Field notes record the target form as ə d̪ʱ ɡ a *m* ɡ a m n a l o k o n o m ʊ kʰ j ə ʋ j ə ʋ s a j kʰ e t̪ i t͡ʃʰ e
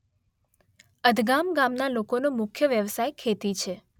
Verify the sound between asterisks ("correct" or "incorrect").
correct